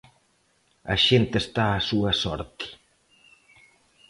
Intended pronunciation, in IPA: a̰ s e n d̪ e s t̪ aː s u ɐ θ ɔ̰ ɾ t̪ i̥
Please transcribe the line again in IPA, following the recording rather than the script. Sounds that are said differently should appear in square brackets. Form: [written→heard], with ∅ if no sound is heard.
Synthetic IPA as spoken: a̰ [s→ʃ] e n [d̪→t̪] e s t̪ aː s u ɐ [θ→s] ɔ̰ ɾ t̪ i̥